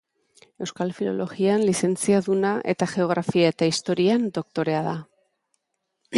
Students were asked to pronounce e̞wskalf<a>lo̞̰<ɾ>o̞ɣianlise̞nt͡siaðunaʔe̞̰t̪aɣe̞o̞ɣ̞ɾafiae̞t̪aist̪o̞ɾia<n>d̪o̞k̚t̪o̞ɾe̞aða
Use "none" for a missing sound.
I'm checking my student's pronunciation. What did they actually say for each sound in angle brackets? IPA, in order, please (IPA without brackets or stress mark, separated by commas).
i, l, n